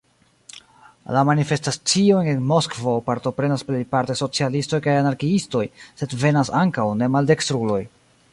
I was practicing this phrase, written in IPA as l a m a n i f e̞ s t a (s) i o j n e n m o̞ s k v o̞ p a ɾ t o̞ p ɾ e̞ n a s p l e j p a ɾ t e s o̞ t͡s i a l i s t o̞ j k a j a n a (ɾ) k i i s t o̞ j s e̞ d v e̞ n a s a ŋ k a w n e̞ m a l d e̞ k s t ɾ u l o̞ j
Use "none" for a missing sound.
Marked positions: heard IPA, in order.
t͡s, ɾ

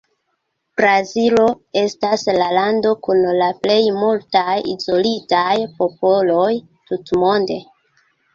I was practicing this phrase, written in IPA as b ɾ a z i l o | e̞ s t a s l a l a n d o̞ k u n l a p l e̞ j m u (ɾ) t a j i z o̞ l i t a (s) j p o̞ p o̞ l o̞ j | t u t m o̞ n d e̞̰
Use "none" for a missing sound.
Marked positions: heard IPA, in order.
l, none

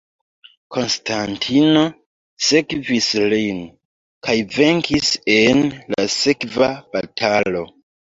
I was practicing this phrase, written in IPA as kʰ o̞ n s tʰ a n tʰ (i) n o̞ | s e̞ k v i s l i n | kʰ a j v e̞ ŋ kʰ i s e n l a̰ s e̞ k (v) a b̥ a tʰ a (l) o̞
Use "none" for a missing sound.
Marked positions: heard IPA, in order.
i, v, l

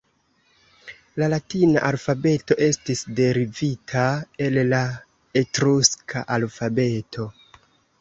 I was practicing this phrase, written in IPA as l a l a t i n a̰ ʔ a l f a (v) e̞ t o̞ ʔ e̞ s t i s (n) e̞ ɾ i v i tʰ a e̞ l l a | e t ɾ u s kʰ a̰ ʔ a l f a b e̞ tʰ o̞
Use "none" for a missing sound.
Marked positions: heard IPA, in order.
b, d

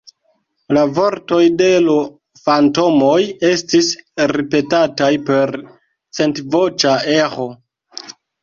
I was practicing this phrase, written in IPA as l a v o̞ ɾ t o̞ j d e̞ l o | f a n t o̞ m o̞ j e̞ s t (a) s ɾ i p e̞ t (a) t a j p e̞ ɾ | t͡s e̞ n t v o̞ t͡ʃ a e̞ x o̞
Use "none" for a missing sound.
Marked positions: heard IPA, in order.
i, a

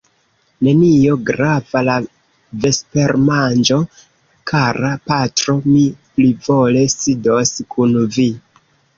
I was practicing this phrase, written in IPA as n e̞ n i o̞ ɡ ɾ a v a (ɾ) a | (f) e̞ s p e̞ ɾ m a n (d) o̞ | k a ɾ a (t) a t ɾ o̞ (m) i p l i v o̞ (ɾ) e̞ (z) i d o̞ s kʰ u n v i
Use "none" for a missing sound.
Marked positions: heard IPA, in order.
l, v, d͡ʒ, p, m, l, s

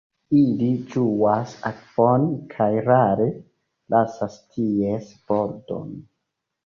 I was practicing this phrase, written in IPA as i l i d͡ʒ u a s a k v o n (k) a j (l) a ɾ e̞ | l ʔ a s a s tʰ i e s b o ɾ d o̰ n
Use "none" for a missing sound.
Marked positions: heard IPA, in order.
kʰ, ɾ

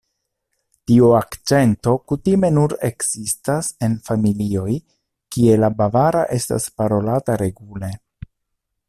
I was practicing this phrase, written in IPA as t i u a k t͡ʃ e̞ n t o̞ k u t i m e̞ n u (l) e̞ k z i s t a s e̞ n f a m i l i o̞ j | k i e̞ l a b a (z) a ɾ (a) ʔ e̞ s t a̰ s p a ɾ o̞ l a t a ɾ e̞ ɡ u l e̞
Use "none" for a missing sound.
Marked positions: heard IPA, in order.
ɾ, v, a

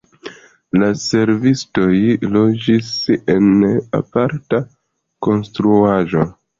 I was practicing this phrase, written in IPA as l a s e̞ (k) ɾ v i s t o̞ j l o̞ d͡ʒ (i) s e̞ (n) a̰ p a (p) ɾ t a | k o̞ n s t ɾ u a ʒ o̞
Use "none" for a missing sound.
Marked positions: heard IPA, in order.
none, i, n, none

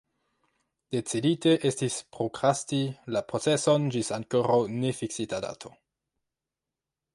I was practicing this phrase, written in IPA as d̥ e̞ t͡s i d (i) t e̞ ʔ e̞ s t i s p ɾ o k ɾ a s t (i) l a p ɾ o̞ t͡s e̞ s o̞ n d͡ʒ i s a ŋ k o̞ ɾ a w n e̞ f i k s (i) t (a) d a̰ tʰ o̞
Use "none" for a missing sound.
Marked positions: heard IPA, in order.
i, i, i, a

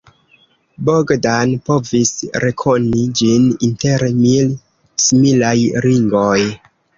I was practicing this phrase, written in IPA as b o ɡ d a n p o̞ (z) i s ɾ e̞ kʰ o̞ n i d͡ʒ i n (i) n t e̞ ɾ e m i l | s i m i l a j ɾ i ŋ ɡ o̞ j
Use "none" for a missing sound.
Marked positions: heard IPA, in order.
v, i

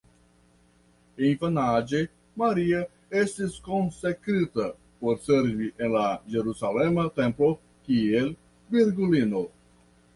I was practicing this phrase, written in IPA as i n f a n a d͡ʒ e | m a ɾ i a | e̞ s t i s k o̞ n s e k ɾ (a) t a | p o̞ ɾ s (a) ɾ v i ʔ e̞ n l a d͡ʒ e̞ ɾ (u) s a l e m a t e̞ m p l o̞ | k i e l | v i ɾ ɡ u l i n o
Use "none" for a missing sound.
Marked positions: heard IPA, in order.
i, e, u

